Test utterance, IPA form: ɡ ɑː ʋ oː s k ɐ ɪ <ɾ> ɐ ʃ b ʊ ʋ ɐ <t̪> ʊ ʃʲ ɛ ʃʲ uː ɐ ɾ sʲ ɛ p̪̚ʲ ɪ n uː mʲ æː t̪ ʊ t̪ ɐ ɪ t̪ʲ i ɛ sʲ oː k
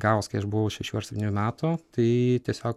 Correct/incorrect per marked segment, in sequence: incorrect, incorrect

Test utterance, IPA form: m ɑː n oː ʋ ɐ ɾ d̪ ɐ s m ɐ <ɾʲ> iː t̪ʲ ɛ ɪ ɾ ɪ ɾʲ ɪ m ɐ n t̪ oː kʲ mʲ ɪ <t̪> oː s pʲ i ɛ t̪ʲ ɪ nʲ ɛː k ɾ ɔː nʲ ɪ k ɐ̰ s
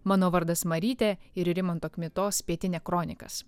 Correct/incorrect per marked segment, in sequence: correct, correct

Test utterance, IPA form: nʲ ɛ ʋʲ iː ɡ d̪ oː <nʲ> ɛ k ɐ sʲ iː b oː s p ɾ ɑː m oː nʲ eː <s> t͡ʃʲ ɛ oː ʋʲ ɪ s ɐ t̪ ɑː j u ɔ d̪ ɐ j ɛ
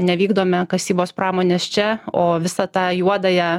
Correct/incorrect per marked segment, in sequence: incorrect, correct

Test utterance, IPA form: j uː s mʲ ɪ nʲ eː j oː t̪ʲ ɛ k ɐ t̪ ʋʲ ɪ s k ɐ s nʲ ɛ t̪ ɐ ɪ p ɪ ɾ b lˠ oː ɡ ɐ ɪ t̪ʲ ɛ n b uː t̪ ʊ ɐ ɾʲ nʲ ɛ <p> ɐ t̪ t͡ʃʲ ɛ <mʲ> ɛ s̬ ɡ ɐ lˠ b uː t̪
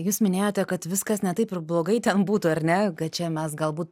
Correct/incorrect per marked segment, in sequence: incorrect, correct

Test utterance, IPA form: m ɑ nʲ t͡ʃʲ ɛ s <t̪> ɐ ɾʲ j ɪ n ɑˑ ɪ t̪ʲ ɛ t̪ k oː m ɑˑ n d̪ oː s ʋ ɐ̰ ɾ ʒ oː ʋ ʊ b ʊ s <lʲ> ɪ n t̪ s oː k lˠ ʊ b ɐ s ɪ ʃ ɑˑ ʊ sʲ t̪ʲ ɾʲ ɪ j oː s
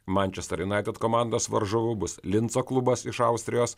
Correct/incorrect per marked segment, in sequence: correct, correct

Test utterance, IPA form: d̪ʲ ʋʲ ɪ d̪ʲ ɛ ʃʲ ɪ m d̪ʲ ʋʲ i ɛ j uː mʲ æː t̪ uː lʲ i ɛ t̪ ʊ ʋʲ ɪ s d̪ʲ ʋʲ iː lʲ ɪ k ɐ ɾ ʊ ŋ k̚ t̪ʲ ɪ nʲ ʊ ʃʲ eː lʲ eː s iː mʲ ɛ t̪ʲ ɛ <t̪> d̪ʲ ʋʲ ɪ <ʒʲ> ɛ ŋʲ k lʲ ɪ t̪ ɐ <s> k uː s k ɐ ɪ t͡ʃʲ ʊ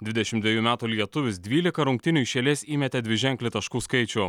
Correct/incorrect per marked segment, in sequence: incorrect, correct, incorrect

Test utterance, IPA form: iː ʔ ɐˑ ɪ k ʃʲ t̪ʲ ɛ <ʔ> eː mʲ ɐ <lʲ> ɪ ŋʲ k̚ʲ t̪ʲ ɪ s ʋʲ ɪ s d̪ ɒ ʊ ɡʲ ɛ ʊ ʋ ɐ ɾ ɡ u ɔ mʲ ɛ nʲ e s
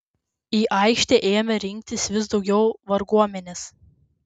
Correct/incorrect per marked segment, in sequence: correct, incorrect

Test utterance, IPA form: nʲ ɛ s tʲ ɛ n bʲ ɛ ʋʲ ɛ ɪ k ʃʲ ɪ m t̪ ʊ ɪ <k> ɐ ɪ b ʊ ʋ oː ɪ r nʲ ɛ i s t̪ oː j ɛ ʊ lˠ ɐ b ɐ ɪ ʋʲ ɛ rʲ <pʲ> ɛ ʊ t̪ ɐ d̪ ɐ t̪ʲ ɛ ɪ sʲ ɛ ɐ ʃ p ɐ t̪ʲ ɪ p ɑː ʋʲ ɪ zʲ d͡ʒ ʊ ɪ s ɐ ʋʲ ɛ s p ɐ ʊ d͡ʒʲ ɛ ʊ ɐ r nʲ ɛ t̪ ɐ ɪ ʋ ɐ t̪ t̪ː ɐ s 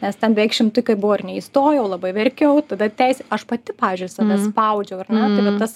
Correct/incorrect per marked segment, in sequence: correct, incorrect

